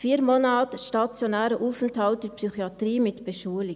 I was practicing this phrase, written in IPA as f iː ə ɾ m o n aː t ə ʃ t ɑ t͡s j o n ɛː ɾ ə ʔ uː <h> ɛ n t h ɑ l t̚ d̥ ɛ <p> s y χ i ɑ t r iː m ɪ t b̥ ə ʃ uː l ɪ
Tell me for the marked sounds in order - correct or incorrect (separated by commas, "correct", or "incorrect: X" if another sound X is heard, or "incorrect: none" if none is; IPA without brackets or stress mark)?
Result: incorrect: f, correct